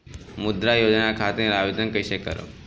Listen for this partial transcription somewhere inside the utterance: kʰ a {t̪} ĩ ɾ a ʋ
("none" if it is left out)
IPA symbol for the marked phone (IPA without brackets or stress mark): t̪